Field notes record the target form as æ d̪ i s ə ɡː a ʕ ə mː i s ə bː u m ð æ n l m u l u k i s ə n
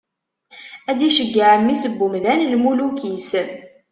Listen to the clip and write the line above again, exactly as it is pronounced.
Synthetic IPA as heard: æ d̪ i ʃ ə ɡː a ʕ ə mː i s ə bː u m ð æ n l m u l u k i s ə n